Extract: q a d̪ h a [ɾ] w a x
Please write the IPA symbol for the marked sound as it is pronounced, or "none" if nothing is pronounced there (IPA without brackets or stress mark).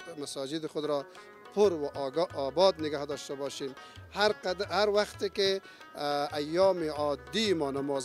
ɾ